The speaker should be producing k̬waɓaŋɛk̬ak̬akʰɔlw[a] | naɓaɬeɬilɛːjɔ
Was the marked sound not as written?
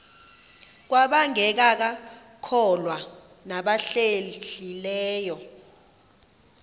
no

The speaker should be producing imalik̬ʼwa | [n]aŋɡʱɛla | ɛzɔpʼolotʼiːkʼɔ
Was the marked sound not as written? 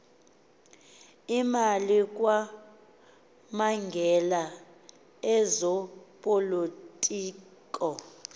yes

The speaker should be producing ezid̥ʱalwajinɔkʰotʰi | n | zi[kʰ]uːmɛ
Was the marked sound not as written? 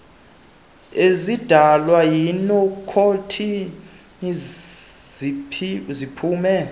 yes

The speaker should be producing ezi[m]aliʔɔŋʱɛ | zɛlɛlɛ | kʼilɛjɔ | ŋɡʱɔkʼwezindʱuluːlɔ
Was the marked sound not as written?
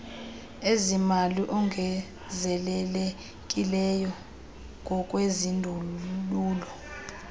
no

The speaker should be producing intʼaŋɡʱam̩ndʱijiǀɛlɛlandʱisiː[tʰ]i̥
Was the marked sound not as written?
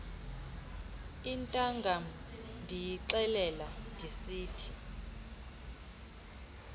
no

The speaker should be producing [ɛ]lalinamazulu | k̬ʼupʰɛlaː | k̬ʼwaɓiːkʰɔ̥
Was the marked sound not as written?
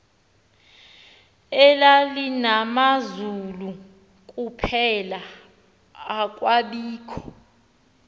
no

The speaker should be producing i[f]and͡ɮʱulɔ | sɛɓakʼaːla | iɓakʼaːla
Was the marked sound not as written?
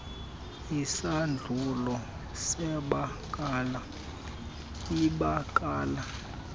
yes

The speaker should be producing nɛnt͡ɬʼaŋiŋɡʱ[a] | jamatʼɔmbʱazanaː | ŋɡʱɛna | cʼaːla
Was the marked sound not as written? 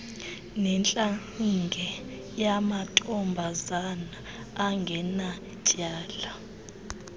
yes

